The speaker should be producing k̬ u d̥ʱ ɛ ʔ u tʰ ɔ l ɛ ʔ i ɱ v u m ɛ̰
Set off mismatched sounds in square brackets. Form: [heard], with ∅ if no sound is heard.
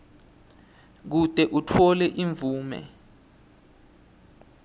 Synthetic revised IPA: k̬ u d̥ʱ ɛ ʔ u tʰ ɔ l ɛ ʔ i ɱ v [uː] m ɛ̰